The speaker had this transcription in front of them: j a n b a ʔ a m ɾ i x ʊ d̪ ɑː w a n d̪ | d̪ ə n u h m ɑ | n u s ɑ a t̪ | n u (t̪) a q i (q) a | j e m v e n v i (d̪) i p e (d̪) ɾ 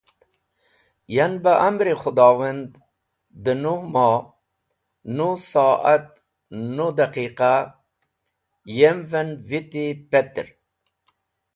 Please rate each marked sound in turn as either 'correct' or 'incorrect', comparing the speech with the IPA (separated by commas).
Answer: incorrect, correct, incorrect, incorrect